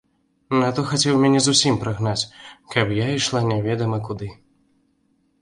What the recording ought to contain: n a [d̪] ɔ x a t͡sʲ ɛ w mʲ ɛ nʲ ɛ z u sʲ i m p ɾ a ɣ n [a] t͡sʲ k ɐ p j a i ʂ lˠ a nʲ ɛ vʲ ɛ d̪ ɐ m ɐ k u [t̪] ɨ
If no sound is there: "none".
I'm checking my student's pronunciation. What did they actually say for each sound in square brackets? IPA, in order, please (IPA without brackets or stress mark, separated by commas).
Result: t̪, a, d̪